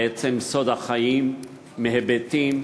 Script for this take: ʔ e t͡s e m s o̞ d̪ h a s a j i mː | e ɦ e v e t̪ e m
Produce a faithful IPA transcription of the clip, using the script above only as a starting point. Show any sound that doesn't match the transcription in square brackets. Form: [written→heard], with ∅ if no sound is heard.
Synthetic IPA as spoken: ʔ e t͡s e m s o̞ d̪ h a [s→χ] a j i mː | e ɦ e [v→b] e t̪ [e→i] m